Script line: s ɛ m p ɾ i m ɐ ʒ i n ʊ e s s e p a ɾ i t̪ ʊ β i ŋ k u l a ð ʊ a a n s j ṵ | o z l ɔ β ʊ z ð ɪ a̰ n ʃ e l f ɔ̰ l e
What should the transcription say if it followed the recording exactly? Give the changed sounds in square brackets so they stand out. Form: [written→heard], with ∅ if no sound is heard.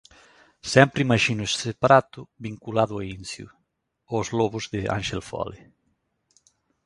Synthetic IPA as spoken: s ɛ m p ɾ i m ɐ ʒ i n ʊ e s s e p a ɾ [i→a] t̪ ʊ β i ŋ k u l a ð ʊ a [a→i] n s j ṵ | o z l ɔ β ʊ z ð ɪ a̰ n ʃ e l f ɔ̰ l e